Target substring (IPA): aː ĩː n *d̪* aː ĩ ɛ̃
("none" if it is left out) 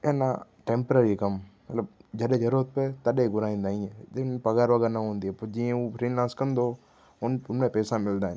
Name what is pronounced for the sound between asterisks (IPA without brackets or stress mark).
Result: d̪